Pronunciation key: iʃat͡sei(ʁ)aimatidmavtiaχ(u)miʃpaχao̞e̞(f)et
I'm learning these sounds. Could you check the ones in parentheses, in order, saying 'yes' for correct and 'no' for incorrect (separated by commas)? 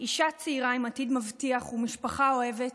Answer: yes, yes, no